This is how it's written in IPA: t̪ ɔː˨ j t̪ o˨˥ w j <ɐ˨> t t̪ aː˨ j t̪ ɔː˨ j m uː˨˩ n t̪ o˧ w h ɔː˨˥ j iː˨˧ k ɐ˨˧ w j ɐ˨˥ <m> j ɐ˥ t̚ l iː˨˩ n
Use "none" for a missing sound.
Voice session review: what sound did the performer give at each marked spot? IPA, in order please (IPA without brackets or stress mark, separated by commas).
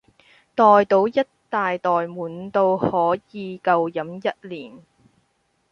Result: ɐ˥, m